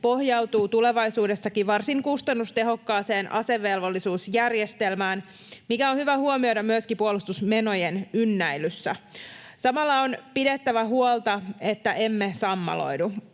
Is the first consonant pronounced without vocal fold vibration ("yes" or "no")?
yes